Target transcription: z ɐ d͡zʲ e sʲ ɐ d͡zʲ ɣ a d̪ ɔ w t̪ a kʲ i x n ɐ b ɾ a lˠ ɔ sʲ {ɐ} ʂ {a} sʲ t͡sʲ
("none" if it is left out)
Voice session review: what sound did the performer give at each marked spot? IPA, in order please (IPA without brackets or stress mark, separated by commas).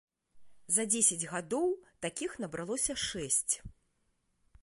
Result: ɐ, ɛ